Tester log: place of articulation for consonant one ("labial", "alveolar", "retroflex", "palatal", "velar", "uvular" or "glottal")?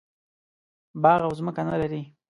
labial